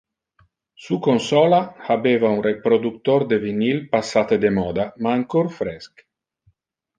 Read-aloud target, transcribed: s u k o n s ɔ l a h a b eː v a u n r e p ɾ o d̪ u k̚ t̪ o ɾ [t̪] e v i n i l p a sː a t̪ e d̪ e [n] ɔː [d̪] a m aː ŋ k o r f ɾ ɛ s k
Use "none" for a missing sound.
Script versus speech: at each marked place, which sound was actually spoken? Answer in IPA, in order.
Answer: d̪, m, d̪

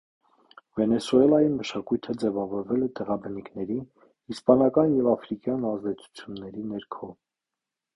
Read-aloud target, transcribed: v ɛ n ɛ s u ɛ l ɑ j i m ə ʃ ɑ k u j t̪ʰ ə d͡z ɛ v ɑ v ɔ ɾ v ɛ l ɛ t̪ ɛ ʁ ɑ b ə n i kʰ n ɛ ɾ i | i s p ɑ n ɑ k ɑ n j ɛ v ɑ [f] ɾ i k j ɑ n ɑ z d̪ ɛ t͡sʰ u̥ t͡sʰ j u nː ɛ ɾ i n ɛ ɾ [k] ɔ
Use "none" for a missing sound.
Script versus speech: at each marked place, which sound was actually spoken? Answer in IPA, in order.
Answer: f, kʰ

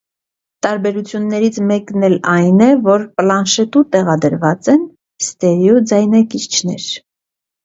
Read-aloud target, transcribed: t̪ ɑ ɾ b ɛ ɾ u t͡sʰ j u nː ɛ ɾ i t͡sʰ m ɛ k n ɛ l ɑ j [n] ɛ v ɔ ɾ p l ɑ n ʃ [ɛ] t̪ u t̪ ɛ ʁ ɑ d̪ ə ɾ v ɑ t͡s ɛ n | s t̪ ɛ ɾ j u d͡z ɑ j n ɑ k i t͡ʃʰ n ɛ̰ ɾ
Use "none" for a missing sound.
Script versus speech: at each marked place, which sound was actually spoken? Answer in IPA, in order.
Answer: n, ɛ

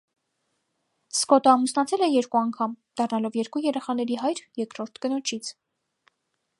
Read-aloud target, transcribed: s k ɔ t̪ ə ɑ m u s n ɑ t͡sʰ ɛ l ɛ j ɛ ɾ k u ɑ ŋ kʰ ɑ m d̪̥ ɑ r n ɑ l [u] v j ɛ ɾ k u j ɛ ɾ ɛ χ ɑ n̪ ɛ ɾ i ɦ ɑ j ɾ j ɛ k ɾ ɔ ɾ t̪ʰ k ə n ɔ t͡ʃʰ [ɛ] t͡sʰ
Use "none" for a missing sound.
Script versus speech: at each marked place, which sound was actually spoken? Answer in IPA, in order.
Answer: ɔ, i

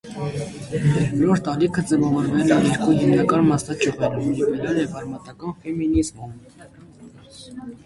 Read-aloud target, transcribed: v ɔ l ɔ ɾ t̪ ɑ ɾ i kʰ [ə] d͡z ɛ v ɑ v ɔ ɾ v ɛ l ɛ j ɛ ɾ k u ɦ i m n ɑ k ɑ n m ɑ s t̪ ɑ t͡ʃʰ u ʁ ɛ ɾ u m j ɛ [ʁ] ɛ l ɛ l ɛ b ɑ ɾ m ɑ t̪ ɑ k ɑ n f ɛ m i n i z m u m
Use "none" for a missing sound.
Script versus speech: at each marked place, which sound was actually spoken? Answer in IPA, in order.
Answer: ə, v

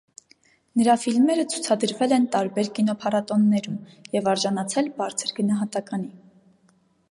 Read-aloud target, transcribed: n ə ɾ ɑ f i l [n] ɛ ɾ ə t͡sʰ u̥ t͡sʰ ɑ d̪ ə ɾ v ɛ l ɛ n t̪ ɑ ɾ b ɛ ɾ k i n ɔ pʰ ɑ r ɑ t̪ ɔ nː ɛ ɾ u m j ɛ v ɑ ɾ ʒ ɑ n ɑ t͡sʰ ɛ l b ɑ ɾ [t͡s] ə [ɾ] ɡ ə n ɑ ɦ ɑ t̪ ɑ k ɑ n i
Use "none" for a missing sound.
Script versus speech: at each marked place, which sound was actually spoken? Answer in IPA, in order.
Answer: m, t͡sʰ, ɾ

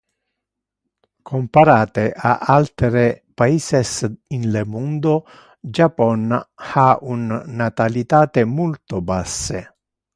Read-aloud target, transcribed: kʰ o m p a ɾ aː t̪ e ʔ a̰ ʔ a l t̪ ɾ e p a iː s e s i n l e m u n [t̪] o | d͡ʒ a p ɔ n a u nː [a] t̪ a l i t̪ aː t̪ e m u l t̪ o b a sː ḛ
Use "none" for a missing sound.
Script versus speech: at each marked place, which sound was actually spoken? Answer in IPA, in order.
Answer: d̪, a

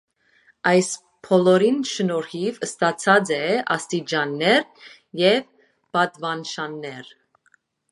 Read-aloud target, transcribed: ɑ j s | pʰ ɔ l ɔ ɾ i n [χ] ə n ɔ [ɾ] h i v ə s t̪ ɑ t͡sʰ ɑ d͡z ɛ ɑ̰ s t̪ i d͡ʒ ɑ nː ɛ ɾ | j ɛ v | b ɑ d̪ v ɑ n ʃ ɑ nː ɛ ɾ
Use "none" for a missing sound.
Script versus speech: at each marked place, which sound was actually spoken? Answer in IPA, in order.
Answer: ʃ, ɾ

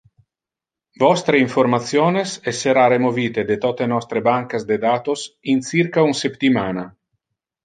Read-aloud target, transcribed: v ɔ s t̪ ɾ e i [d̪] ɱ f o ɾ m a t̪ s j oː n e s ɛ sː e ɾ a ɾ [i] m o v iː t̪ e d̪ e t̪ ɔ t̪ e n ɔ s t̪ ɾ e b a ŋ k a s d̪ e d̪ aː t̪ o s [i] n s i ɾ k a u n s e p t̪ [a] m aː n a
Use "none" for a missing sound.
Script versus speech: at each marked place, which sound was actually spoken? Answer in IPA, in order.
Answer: none, e, i, i

